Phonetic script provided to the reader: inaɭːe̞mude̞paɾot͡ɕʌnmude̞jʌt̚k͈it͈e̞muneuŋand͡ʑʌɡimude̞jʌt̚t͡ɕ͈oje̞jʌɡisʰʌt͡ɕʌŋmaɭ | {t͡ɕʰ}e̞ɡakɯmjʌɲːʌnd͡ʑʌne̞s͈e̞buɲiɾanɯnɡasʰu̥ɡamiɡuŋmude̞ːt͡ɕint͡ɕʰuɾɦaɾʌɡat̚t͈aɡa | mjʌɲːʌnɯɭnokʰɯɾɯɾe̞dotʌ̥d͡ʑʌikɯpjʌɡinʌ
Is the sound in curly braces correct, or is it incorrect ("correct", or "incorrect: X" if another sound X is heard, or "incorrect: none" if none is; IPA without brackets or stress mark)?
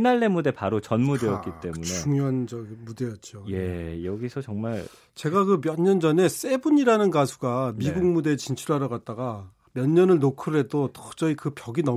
incorrect: t͡ɕ